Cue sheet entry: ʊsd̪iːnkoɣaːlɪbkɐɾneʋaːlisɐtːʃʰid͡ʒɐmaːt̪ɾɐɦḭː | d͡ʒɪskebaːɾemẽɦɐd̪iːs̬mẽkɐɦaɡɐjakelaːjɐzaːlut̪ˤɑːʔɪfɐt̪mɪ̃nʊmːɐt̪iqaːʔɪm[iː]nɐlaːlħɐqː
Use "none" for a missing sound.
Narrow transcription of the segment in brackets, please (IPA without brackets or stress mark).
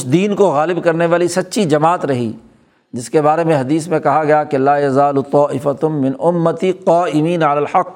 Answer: iː